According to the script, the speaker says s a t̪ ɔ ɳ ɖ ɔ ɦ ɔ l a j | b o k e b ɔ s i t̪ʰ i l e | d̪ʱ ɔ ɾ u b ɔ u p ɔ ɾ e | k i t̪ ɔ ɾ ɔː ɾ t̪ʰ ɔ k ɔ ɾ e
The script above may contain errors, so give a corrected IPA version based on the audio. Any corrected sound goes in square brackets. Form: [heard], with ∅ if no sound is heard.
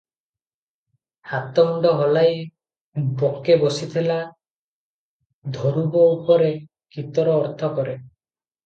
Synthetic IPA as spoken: [h] a t̪ ɔ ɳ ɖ ɔ ɦ ɔ l a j | b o k e b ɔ s i t̪ʰ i l [a] | d̪ʱ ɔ ɾ u b ɔ u p ɔ ɾ e | k i t̪ ɔ ɾ ɔː ɾ t̪ʰ ɔ k ɔ ɾ e